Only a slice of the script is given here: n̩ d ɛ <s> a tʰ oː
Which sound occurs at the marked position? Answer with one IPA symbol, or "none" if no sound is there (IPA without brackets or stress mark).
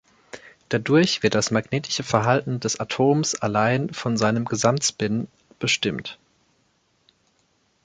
s